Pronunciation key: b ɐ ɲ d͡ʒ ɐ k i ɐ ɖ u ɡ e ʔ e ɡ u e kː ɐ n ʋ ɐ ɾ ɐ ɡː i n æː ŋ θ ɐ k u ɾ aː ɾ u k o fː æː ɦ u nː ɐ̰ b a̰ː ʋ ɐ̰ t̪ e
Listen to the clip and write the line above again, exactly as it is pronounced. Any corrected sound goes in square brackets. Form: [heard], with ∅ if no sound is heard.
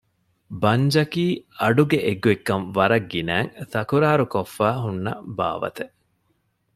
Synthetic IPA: b ɐ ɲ d͡ʒ ɐ k [iː] ɐ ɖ u ɡ e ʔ e ɡ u e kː ɐ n ʋ ɐ ɾ ɐ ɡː i n æː ŋ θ ɐ k u ɾ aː ɾ u k o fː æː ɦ u nː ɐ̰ b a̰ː ʋ ɐ̰ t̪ e